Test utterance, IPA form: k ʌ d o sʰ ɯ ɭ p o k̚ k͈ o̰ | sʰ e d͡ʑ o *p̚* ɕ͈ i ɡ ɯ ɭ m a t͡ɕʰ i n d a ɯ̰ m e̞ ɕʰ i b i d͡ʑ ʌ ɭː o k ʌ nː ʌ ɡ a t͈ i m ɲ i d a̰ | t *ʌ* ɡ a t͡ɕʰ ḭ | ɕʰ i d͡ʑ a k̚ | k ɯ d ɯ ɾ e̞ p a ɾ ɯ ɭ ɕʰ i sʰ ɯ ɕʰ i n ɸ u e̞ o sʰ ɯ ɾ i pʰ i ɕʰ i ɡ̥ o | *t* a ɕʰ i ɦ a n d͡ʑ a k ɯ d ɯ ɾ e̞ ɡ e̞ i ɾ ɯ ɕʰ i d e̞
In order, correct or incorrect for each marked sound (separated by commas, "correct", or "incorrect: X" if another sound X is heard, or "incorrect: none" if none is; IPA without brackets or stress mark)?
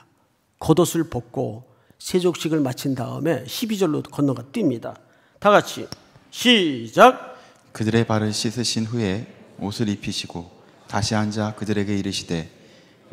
incorrect: k̚, incorrect: a, correct